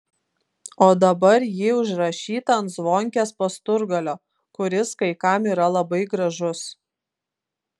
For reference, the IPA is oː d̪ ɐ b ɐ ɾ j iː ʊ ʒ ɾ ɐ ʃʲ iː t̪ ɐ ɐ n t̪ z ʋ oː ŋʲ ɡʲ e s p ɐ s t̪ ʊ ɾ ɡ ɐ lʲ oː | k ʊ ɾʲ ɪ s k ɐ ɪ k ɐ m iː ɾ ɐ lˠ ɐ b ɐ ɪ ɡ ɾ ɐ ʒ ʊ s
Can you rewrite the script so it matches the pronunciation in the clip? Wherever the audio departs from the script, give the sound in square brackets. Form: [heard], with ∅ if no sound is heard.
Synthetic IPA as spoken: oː d̪ ɐ b ɐ ɾ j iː ʊ ʒ ɾ ɐ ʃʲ iː t̪ ɐ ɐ n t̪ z ʋ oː ŋʲ [kʲ] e s p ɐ s t̪ ʊ ɾ ɡ ɐ lʲ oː | k ʊ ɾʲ ɪ s k ɐ ɪ k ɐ m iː ɾ ɐ lˠ ɐ b ɐ ɪ ɡ ɾ ɐ ʒ ʊ s